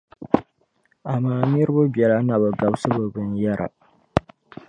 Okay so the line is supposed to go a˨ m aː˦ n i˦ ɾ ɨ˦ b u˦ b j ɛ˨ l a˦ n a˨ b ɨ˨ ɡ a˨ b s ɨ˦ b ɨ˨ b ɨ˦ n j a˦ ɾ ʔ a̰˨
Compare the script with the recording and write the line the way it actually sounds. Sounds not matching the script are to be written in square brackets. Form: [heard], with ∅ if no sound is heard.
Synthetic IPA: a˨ m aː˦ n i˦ ɾ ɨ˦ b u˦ b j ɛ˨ l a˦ n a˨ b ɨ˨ ɡ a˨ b s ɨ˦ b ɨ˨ b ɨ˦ n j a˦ ɾ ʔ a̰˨